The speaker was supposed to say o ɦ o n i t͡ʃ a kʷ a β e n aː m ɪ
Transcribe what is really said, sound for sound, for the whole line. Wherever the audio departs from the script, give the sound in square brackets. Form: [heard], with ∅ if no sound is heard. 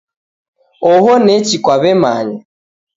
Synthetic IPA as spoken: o ɦ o n [e] t͡ʃ [i] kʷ a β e [m] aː [ɲ] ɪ